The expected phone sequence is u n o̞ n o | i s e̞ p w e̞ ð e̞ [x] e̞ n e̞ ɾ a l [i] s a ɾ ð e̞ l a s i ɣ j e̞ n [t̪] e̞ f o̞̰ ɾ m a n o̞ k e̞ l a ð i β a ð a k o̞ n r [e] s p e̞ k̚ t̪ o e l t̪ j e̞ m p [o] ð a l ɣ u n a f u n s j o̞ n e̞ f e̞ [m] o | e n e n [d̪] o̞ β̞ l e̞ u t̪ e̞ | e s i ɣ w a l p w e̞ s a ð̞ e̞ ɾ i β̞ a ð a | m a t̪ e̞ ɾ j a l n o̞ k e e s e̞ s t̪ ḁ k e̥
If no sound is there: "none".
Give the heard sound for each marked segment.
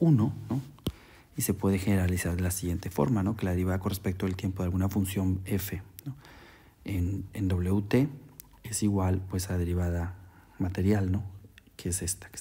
x, i, t̪, e, o, n, d̪

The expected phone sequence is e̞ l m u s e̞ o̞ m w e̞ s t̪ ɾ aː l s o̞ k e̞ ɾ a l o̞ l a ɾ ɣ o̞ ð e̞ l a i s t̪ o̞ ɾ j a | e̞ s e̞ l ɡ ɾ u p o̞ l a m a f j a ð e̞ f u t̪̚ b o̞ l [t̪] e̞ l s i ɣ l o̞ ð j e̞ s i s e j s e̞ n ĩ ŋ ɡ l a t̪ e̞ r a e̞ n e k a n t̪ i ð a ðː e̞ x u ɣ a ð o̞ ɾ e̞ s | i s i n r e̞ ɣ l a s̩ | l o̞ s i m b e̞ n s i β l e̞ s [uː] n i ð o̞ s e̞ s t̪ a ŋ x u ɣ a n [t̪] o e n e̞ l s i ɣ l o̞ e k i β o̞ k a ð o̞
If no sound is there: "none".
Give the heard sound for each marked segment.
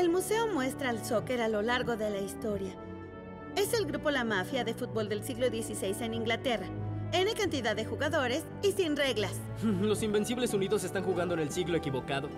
d̪, u, d̪

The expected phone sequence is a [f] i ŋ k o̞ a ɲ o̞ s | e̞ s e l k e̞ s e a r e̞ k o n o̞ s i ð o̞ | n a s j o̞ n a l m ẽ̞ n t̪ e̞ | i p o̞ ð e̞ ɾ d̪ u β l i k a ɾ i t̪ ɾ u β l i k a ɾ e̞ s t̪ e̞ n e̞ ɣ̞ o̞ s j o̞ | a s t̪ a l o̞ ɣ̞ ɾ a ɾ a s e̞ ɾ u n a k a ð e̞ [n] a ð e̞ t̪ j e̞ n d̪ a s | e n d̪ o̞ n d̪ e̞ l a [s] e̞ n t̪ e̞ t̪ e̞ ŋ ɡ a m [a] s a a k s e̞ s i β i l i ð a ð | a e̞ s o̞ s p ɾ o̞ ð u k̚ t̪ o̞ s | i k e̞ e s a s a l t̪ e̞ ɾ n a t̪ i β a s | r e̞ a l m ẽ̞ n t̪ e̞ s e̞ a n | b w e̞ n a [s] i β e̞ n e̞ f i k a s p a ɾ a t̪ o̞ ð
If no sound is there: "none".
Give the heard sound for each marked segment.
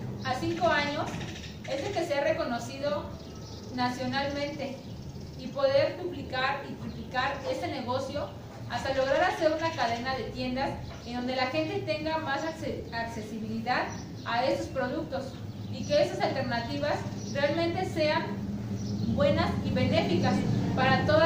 s, n, x, a, s

